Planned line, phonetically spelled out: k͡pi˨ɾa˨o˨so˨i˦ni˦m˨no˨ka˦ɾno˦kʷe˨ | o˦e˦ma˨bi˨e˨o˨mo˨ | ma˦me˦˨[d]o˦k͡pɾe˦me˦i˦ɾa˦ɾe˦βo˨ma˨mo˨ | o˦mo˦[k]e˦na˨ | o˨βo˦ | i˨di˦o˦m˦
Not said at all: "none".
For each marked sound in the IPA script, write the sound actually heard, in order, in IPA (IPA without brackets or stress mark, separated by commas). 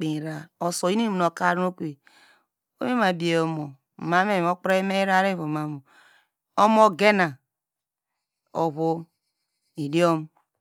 none, ɡ